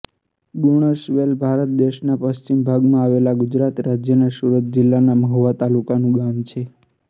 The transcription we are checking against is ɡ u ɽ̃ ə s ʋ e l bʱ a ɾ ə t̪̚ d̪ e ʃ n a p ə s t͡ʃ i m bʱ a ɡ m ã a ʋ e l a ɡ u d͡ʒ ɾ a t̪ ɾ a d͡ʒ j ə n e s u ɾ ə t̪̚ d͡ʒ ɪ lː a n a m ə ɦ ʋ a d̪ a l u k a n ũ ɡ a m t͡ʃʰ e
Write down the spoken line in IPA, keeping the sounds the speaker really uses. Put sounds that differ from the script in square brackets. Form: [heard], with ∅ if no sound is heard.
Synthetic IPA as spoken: ɡ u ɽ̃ ə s ʋ e l bʱ a ɾ ə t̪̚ d̪ e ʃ n a p ə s t͡ʃ i m bʱ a ɡ m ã a ʋ e l a ɡ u d͡ʒ ɾ a t̪ ɾ a d͡ʒ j ə n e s u ɾ ə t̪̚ d͡ʒ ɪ lː a n a m ə ɦ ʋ a [t̪] a l u k a n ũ ɡ a m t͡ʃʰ e